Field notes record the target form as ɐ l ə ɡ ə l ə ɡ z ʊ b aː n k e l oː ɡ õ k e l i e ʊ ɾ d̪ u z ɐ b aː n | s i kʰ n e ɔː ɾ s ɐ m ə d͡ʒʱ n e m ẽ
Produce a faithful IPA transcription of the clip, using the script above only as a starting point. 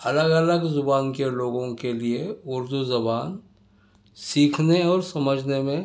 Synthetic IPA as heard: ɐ l ə ɡ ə l ə ɡ z ʊ b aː n k e l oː ɡ õ k e l i e ʊ ɾ d̪ u z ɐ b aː n | s iː kʰ n e ɔː ɾ s ɐ m ə d͡ʒʱ n e m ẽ